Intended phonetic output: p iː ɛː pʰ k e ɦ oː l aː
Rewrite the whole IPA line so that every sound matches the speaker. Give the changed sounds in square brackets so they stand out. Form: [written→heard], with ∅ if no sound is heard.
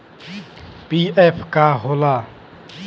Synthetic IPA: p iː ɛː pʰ k [e→a] ɦ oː l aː